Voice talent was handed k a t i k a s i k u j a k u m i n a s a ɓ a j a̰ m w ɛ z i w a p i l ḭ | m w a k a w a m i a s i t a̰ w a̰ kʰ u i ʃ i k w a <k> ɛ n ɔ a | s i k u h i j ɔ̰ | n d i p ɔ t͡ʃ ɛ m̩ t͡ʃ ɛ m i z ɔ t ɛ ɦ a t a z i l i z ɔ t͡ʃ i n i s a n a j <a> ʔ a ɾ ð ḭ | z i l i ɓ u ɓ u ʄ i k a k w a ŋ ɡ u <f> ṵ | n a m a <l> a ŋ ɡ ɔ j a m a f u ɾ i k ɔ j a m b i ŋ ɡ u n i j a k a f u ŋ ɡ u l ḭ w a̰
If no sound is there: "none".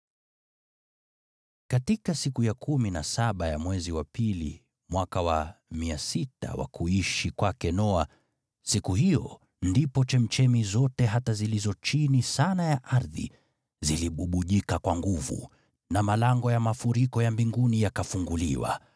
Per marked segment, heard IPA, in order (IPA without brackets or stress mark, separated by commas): k, a, v, l